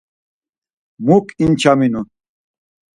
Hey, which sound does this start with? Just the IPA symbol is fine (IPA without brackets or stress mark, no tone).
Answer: m